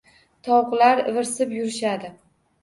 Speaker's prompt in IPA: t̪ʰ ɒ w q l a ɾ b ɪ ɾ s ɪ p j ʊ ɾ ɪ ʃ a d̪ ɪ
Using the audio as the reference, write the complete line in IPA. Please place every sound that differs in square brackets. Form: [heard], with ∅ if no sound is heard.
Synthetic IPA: t̪ʰ ɒ w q l a ɾ [v] ɪ ɾ s ɪ p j ʊ ɾ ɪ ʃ a d̪ ɪ